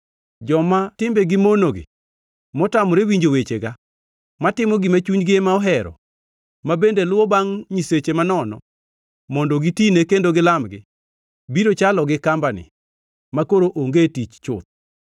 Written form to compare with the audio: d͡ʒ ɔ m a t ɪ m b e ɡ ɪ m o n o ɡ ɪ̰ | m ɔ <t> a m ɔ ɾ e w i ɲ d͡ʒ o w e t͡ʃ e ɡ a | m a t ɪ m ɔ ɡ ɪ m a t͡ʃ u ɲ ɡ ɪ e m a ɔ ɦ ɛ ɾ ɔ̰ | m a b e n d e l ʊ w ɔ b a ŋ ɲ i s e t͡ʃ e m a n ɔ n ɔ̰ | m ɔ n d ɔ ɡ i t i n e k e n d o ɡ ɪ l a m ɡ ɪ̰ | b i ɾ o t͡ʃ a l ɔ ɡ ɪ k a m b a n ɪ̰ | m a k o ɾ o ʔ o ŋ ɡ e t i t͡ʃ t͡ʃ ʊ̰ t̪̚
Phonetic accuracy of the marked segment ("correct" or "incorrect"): correct